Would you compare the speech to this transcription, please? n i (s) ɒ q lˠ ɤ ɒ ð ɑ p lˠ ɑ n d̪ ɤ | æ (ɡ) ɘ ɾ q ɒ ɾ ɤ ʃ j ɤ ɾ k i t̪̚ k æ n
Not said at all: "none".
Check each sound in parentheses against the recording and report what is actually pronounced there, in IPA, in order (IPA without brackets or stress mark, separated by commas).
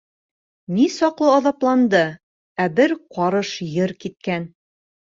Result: s, b